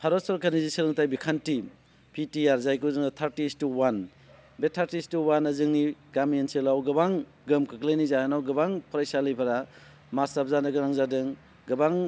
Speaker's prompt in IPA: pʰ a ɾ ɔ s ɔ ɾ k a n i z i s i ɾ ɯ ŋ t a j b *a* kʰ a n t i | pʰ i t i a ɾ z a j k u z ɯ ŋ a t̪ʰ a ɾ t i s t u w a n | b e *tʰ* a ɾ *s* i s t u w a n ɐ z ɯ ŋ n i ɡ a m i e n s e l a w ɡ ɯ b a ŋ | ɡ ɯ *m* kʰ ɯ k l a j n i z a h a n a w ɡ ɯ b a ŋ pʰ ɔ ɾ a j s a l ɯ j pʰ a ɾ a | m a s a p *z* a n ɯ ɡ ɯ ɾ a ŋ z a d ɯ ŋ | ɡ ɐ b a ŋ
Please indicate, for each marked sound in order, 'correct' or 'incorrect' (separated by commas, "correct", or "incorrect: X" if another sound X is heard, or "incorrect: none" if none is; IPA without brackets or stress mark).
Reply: incorrect: i, correct, incorrect: t, correct, correct